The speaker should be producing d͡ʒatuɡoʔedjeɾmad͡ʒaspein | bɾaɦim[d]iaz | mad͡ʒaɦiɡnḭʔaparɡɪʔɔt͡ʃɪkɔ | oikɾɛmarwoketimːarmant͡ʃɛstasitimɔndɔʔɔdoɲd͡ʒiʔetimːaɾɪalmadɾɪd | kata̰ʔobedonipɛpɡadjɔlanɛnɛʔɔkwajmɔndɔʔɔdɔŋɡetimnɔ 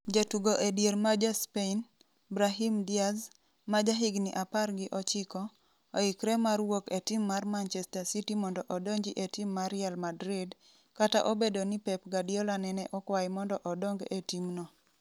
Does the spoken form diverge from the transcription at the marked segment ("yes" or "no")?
no